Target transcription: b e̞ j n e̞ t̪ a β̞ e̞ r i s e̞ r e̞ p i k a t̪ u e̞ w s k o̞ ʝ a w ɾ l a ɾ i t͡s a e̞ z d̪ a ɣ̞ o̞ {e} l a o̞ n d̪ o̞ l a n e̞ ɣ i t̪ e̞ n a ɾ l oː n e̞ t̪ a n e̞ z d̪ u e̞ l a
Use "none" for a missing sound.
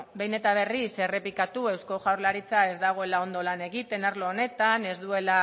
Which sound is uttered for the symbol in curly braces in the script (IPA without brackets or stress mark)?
e